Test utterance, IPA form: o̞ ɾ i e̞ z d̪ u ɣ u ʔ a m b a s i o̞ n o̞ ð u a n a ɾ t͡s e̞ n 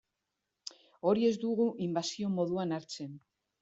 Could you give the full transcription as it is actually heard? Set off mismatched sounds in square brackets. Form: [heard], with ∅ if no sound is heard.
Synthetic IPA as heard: o̞ ɾ i e̞ z d̪ u ɣ u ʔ [i] m b a s i o̞ [m] o̞ ð u a n a ɾ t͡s e̞ n